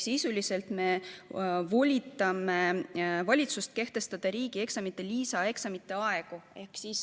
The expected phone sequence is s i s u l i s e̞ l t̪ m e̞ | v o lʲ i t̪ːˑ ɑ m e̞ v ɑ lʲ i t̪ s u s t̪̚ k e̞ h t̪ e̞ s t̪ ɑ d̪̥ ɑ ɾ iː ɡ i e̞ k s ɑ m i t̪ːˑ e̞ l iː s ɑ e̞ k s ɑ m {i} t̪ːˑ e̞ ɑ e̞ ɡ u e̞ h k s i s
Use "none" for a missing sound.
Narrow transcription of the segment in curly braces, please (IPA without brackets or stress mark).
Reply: i